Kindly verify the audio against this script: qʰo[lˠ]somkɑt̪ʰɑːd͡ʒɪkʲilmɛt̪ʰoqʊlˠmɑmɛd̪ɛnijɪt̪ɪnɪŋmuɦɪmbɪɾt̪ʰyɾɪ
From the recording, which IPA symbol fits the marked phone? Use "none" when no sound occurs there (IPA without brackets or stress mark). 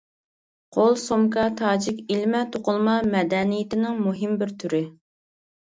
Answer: lˠ